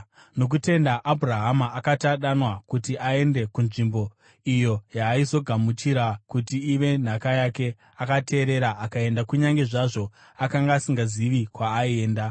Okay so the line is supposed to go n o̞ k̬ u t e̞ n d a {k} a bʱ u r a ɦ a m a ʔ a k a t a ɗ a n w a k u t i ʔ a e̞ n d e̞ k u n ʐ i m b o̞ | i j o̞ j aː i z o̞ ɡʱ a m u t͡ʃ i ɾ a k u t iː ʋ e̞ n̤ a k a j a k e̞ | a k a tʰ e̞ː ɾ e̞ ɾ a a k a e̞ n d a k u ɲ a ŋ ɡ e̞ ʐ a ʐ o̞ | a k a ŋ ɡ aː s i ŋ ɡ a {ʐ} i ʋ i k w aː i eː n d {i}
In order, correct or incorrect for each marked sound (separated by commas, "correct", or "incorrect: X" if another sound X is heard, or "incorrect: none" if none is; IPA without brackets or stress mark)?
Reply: incorrect: ʔ, incorrect: z, incorrect: a